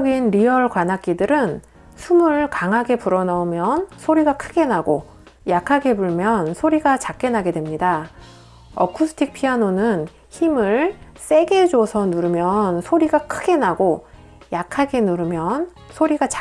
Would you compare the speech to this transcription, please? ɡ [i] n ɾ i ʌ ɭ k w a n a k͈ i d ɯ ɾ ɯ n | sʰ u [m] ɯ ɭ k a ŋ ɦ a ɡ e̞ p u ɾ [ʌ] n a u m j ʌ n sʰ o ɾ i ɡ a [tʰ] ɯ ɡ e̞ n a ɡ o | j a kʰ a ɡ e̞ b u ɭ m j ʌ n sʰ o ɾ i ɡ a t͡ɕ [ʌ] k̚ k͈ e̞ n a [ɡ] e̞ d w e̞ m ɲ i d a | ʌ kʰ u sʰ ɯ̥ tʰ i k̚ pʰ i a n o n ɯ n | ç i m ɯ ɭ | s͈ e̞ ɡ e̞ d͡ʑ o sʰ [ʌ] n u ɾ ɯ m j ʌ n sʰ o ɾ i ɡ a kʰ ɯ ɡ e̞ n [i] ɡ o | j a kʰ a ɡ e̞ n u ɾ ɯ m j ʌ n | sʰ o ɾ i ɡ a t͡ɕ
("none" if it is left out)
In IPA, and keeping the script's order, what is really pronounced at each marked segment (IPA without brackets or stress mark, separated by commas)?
i, m, ʌ, kʰ, a, ɡ, ʌ, a